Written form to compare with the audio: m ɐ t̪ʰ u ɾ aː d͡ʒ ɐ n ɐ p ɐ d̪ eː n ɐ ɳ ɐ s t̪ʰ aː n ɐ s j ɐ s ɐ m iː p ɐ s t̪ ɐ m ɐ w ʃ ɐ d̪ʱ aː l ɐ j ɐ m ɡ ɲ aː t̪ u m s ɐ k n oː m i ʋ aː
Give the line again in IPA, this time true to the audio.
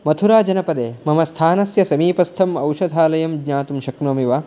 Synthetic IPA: m ɐ t̪ʰ u ɾ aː d͡ʒ ɐ n ɐ p ɐ d̪ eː m ɐ m ɐ s t̪ʰ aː n ɐ s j ɐ s ɐ m iː p ɐ s t̪ʰ ɐ m ɐ w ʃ ɐ d̪ʱ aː l ɐ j ɐ m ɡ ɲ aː t̪ u m ʃ ɐ k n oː m i ʋ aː